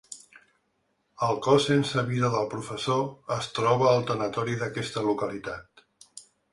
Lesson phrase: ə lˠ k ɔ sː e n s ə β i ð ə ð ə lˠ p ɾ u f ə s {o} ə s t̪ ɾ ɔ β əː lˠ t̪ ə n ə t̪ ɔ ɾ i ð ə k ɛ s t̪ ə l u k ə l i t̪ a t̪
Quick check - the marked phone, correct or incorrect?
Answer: correct